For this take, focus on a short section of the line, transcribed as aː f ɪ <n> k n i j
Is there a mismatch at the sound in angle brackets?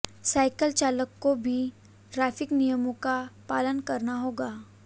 yes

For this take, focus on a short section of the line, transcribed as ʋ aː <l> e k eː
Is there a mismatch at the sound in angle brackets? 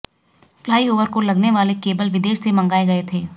no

